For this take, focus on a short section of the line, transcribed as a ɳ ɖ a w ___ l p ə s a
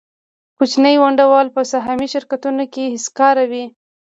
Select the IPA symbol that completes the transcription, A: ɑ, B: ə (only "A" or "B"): A